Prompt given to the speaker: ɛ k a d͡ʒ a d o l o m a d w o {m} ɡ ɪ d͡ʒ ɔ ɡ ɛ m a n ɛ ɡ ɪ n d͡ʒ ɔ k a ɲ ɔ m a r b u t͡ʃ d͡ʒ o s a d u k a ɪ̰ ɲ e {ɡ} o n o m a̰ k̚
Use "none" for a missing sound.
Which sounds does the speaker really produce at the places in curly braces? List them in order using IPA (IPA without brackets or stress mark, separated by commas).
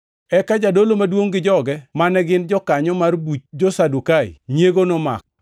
ŋ, ɡ